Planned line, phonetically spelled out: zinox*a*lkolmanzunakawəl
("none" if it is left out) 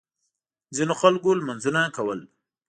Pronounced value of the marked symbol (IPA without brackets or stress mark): a